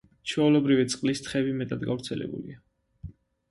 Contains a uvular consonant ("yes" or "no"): yes